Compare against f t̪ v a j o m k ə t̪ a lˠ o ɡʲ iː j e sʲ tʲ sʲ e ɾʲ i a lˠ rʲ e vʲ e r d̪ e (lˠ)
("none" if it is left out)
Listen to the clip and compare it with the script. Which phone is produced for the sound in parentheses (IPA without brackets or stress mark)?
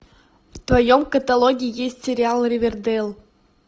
lˠ